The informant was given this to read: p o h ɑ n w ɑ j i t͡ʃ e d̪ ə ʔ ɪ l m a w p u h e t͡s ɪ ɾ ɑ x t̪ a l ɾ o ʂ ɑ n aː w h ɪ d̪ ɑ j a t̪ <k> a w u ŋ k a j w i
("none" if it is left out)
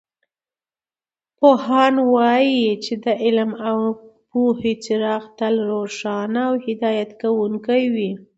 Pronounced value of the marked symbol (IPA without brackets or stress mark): k